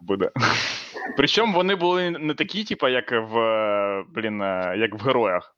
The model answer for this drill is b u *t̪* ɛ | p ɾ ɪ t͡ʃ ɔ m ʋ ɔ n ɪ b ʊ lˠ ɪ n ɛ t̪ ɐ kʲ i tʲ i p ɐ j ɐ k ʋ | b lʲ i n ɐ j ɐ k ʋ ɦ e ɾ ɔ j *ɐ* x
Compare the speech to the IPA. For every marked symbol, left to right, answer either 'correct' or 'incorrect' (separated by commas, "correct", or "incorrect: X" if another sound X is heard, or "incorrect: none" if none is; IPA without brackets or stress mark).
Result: incorrect: d̪, correct